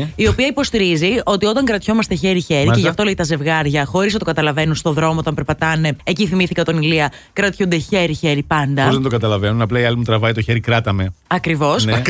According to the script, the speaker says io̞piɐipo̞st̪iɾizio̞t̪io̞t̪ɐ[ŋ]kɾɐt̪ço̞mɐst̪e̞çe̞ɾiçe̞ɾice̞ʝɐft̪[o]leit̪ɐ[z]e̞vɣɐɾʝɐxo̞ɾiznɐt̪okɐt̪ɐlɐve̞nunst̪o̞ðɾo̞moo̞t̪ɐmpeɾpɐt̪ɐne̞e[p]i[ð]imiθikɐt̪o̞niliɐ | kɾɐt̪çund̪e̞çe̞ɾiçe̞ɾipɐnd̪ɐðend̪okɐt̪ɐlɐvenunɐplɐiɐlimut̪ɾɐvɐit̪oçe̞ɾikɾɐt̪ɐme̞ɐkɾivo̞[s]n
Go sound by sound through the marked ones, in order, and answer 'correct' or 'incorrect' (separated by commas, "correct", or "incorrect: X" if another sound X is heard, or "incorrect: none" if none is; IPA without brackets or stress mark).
correct, correct, correct, incorrect: c, incorrect: θ, correct